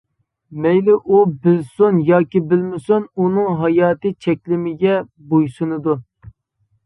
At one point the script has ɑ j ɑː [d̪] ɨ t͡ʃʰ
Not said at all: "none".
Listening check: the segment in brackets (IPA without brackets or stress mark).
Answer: t̪